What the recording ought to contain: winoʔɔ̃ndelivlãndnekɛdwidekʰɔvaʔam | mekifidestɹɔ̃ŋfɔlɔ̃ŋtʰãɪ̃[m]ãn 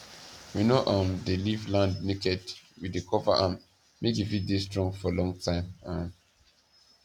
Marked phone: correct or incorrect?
correct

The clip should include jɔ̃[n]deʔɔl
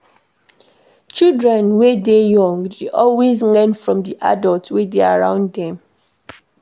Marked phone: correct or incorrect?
incorrect: ŋ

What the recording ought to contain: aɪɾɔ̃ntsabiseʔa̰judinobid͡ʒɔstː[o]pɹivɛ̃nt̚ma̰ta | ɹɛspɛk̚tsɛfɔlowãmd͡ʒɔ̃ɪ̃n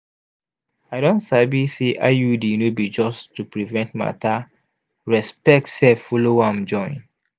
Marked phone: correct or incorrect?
incorrect: u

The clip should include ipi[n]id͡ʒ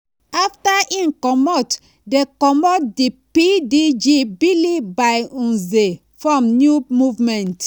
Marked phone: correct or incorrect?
incorrect: d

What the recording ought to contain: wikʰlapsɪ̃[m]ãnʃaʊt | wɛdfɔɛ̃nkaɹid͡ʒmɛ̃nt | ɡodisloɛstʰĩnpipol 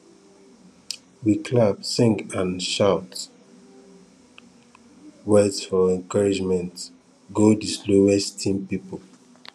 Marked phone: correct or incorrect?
incorrect: ŋ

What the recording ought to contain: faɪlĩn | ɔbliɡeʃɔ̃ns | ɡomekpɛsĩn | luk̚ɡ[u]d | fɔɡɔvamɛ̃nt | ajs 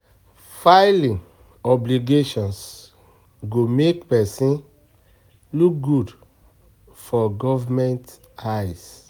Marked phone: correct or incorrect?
correct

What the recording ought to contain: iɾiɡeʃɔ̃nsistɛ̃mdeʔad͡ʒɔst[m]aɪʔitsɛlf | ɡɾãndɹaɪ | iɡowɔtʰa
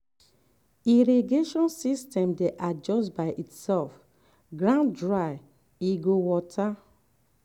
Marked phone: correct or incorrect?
incorrect: b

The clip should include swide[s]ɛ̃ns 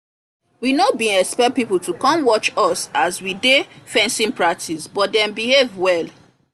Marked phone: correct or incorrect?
incorrect: f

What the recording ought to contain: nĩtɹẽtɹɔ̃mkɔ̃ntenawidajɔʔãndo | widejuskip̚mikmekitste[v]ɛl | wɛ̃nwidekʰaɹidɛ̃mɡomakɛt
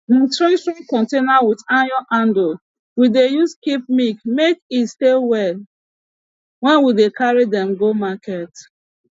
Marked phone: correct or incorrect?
incorrect: w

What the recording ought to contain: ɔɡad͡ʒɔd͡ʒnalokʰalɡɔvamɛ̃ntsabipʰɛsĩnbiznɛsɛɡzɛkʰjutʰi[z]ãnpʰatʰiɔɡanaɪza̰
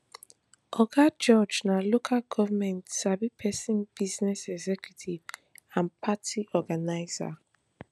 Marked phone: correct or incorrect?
incorrect: v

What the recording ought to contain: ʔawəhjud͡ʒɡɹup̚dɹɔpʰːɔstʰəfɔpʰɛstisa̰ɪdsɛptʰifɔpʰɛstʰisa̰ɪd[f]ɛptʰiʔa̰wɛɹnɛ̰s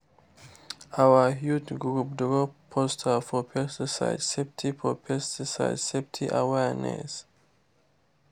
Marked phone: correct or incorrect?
incorrect: s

